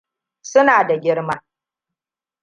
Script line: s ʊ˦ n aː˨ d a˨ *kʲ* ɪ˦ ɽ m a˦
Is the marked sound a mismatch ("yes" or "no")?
yes